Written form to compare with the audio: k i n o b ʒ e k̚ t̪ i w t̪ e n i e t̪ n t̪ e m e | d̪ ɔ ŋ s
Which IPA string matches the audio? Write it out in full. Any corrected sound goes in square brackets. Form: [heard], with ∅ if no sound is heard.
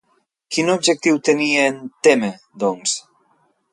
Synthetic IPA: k i n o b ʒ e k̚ t̪ i w t̪ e n i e [∅] n t̪ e m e | d̪ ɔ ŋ s